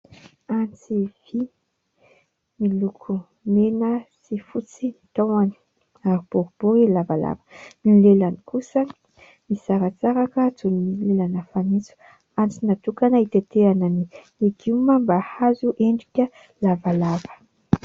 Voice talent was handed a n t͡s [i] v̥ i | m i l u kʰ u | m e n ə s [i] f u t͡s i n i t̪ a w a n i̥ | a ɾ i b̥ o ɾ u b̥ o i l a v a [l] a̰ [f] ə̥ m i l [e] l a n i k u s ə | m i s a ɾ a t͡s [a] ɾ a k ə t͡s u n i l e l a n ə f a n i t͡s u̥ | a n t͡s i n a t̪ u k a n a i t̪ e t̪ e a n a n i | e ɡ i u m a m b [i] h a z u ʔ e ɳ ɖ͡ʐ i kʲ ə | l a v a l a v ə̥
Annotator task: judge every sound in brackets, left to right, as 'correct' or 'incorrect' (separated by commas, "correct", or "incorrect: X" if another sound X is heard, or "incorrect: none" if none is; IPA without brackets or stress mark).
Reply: correct, correct, correct, incorrect: v, correct, correct, incorrect: a